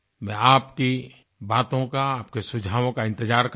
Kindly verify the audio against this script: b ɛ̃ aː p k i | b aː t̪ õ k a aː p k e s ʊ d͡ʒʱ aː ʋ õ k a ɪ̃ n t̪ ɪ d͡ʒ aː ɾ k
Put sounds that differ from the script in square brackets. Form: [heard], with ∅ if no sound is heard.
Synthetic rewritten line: [m] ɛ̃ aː p k i | b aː t̪ õ k a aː p k e s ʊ d͡ʒʱ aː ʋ õ k a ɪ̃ n t̪ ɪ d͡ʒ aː ɾ k